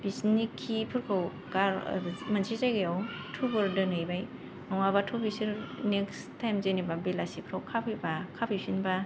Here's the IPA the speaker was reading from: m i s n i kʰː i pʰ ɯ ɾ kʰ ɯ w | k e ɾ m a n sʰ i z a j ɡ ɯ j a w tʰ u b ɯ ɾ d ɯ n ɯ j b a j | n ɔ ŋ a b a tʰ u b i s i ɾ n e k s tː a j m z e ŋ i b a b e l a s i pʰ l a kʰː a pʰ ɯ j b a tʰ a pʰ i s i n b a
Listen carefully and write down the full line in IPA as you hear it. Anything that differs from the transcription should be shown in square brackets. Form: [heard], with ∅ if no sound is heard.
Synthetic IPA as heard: [b] i s n i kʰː i pʰ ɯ ɾ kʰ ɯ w | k [a] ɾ m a n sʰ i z a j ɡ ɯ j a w tʰ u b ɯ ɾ d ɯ n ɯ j b a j | n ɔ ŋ a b a tʰ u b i s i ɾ n e k s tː a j m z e [n] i b a b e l a s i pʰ [ɾ] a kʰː a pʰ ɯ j b a [kʰ] a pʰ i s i n b a